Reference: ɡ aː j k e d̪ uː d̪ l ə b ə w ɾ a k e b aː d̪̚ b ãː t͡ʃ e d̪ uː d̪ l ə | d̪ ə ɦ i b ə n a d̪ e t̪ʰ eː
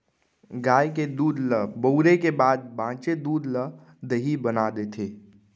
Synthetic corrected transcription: ɡ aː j k e d̪ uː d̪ l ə b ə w ɾ e k e b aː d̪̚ b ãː t͡ʃ e d̪ uː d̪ l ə | d̪ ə ɦ i b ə n a d̪ e t̪ʰ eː